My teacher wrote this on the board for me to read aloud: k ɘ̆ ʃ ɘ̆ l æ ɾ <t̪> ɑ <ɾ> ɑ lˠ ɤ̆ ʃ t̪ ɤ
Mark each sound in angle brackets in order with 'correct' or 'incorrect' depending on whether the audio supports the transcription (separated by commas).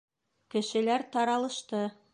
correct, correct